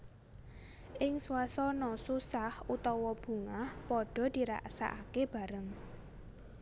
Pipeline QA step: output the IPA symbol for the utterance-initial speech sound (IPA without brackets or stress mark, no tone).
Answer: ʔ